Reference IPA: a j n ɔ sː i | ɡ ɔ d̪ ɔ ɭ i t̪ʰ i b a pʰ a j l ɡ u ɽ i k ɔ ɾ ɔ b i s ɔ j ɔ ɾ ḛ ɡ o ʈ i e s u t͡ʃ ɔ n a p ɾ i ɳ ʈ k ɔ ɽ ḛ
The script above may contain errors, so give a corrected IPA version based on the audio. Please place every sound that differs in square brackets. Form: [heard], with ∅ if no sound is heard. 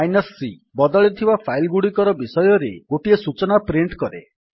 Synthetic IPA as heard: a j n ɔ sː i | [b] ɔ d̪ ɔ ɭ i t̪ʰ i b a pʰ a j l ɡ u ɽ i k ɔ ɾ ɔ b i s ɔ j ɔ ɾ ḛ ɡ o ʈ i e s u t͡ʃ ɔ n a p ɾ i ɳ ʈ k ɔ [ɾ] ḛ